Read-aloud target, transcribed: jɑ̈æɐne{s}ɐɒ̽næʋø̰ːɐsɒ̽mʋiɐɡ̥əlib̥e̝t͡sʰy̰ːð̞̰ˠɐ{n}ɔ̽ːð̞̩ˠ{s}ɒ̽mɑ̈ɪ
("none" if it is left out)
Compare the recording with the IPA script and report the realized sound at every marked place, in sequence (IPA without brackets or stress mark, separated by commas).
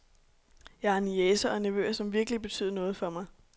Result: s, n, f